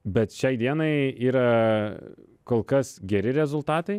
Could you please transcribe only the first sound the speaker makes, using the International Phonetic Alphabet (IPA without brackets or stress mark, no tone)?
bʲ